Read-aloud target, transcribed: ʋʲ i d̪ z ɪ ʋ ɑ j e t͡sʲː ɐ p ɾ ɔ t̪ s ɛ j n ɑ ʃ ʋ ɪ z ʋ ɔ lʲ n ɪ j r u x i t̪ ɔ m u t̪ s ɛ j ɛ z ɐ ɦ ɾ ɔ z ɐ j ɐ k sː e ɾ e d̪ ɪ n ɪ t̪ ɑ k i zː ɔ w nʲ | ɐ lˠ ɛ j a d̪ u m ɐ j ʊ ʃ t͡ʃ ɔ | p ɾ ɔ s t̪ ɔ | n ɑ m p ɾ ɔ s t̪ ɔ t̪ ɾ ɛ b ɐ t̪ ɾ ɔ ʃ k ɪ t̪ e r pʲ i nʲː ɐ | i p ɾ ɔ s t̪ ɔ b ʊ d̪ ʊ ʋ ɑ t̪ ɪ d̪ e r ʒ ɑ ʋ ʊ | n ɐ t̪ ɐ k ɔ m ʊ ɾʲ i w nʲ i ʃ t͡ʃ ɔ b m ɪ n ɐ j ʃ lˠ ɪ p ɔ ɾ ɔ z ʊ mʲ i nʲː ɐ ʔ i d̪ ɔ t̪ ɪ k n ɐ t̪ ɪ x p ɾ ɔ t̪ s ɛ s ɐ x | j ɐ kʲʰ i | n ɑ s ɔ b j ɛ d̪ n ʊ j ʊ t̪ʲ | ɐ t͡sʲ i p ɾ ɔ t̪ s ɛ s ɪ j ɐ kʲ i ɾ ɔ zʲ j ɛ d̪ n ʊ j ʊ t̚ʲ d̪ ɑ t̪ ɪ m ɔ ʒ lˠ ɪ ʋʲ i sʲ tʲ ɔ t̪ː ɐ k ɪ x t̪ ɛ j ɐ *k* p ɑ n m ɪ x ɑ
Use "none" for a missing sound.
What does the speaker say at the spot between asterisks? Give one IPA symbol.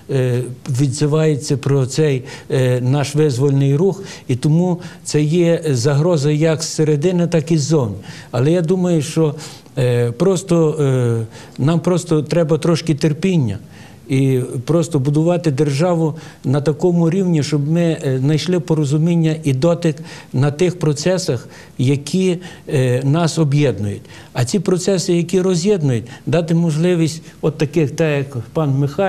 k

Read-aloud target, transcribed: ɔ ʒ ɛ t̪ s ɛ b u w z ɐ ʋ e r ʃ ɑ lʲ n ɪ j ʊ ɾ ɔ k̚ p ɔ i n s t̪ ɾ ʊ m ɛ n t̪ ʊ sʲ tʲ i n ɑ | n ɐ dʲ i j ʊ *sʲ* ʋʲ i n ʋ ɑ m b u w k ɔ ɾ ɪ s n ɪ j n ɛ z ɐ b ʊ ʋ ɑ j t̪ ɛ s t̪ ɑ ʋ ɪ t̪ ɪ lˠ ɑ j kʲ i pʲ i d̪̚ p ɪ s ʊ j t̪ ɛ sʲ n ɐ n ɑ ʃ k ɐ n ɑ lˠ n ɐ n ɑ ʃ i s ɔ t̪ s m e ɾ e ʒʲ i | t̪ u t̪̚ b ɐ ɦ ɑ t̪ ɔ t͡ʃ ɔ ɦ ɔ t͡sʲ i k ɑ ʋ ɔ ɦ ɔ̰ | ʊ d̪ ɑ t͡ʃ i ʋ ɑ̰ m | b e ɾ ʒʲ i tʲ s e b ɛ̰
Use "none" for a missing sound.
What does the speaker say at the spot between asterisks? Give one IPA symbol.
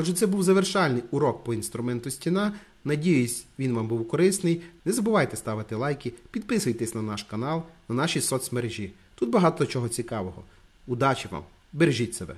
sʲ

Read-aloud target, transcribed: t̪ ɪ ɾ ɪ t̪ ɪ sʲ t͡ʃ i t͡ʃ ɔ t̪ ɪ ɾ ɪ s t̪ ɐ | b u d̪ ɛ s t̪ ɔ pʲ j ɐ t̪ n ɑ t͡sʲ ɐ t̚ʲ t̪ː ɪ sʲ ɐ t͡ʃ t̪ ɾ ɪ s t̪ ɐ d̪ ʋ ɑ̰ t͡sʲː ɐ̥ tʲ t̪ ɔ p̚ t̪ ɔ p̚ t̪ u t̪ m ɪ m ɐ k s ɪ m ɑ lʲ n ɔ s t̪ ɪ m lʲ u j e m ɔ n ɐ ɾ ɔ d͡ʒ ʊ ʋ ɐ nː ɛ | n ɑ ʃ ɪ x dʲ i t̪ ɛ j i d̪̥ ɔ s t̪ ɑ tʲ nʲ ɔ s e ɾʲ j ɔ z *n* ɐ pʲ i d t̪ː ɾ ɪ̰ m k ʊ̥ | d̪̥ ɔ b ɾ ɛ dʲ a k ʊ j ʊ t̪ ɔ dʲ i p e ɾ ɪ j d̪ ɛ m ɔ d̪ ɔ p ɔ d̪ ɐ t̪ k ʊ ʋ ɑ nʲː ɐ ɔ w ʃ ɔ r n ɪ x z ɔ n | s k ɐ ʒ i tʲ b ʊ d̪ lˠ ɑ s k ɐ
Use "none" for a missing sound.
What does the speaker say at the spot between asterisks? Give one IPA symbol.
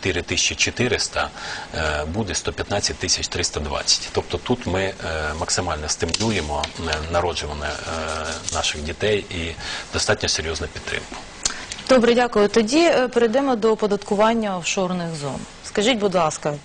n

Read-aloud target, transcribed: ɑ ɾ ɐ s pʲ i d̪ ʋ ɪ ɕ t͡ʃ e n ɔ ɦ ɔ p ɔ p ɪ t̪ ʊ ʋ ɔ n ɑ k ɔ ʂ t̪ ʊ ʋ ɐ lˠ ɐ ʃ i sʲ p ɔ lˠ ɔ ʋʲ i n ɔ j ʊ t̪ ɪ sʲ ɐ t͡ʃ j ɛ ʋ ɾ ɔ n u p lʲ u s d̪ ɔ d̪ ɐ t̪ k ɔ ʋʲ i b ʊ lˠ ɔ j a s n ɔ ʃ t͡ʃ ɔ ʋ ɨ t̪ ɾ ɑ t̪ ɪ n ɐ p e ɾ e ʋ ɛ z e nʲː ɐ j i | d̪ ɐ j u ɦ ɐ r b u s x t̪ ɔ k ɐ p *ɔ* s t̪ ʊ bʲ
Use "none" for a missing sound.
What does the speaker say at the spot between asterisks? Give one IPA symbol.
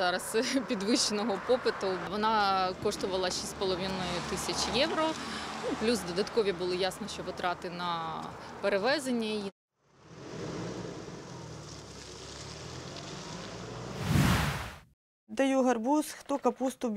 u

